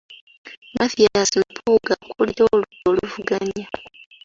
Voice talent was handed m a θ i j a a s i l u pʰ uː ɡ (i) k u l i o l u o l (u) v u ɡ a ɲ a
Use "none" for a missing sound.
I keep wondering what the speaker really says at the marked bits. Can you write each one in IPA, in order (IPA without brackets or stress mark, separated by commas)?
a, u